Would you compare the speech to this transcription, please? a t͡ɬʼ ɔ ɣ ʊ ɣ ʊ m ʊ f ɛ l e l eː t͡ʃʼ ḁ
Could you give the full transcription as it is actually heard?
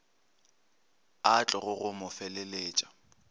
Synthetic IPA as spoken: a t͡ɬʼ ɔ ɣ ʊ ɣ ʊ m ʊ f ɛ l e l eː t͡ʃʼ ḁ

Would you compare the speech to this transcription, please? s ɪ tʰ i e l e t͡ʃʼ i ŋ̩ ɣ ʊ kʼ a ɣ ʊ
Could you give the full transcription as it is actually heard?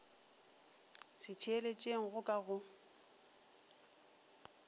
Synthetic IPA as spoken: s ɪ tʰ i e l e t͡ʃʼ e ŋ̩ ɣ ʊ kʼ a ɣ ʊ

